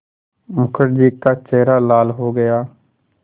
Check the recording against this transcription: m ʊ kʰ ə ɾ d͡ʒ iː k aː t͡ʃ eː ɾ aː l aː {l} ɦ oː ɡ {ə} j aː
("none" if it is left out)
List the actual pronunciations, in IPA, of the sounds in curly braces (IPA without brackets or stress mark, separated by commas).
l, ə